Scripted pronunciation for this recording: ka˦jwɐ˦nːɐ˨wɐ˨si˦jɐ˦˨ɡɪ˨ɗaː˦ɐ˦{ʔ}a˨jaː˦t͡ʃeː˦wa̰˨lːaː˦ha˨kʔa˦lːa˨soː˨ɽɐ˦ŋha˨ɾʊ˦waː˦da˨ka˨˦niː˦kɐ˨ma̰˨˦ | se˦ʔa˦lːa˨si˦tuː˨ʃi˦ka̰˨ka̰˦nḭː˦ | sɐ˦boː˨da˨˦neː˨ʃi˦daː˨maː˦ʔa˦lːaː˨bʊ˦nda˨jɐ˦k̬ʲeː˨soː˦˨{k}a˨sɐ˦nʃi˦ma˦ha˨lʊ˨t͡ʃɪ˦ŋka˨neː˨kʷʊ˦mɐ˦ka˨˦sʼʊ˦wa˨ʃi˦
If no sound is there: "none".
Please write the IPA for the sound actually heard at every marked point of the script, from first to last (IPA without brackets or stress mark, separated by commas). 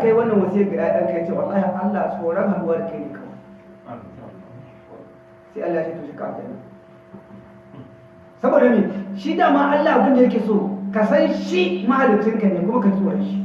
k, k